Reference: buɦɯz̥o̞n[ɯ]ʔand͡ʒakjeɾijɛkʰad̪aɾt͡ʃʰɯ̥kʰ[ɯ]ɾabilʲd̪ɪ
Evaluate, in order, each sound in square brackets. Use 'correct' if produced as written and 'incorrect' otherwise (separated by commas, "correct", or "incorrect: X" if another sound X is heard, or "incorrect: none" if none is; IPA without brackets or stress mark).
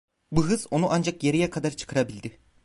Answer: incorrect: u, correct